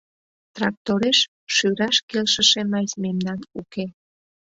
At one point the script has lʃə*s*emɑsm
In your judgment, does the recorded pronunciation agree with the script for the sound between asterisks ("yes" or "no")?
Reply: no